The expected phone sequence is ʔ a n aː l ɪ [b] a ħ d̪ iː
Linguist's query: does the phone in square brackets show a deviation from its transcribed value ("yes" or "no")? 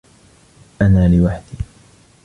yes